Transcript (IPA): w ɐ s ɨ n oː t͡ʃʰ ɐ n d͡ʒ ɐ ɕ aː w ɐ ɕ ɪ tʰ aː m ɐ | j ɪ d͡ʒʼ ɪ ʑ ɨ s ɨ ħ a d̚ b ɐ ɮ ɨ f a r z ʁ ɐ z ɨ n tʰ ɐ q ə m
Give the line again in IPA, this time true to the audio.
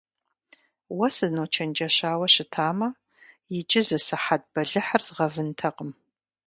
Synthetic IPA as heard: w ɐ s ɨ n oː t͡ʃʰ ɐ n d͡ʒ ɐ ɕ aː w ɐ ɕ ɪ tʰ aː m ɐ | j ɪ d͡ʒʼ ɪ z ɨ s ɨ ħ a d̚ b ɐ ɮ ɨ ħ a r z ʁ ɐ v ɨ n tʰ ɐ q ə m